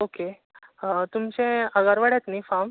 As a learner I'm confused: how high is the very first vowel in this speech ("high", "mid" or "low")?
mid